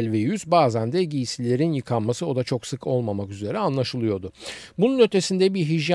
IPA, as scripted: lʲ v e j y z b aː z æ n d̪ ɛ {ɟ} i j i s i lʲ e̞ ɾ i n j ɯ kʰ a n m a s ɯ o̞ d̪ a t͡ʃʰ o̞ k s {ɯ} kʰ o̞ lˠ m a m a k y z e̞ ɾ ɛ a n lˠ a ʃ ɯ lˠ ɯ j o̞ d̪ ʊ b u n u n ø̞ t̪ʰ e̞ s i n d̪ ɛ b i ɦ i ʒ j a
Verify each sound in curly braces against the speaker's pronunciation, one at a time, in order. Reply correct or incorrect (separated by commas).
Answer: correct, correct